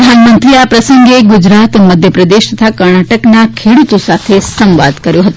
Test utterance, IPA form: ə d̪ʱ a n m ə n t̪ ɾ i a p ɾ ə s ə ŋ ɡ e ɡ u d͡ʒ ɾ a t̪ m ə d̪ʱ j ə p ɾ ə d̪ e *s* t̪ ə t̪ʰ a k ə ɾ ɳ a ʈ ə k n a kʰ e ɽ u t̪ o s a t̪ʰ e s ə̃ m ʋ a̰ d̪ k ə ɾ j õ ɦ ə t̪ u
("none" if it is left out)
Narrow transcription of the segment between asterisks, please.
ʃ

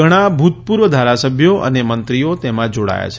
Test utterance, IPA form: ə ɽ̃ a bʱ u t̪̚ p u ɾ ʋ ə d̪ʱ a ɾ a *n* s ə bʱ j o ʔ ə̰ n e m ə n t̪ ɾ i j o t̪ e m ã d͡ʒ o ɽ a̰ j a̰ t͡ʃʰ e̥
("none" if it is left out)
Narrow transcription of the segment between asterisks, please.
none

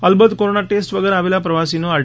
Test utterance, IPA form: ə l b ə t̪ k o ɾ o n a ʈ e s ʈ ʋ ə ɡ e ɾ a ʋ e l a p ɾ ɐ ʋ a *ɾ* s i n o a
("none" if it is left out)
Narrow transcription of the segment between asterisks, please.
none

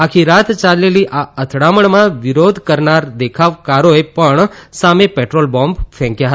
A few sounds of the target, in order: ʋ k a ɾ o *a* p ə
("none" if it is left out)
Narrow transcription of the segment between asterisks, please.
e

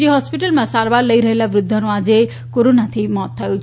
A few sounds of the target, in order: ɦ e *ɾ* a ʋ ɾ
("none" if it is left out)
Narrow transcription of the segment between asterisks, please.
l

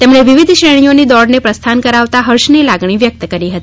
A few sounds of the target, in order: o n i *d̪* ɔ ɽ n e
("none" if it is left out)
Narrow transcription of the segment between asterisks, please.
d̪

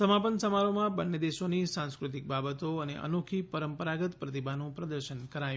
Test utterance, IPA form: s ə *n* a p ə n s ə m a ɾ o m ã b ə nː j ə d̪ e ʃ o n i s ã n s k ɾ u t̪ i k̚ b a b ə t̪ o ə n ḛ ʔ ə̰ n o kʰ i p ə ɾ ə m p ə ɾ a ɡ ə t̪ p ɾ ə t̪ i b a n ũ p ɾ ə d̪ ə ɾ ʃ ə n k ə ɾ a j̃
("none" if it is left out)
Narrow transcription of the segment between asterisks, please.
m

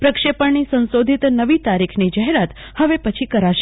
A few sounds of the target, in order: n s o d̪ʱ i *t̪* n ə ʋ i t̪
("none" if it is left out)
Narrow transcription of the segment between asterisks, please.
t̪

